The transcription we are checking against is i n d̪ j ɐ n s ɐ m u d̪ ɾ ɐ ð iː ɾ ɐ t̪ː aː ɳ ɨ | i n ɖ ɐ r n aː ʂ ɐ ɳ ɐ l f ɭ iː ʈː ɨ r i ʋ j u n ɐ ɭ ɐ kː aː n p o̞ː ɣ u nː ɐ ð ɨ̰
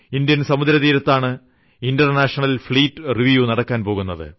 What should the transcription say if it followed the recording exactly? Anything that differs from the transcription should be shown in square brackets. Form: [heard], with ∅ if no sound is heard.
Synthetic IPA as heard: i n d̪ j ɐ n s ɐ m u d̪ ɾ ɐ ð iː ɾ ɐ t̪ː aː ɳ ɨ | i n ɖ ɐ r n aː ʂ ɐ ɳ ɐ l f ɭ iː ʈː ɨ r i ʋ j u n ɐ [ɽ] ɐ kː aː n p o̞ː ɣ u nː ɐ ð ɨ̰